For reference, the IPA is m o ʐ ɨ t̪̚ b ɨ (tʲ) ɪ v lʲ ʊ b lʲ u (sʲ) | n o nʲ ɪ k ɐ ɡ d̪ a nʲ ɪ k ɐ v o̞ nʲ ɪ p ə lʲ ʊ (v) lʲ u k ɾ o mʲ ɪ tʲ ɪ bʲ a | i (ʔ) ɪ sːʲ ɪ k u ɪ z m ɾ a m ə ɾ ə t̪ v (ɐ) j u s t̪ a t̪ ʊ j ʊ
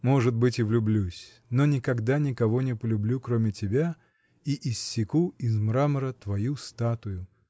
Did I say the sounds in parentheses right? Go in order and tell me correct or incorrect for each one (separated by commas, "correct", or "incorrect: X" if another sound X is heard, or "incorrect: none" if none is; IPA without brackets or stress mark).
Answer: correct, correct, incorrect: b, correct, correct